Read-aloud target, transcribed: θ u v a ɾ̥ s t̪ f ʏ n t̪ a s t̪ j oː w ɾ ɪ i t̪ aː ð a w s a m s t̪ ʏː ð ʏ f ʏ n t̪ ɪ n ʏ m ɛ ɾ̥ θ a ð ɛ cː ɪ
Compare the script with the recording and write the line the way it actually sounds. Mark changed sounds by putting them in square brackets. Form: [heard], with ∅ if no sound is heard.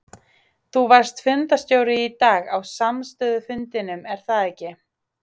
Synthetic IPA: θ u v a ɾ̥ s t̪ f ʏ n t̪ a s t̪ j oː w ɾ ɪ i t̪ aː [ɣ] a w s a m s t̪ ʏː ð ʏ f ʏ n t̪ ɪ n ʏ m ɛ ɾ̥ θ a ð ɛ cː ɪ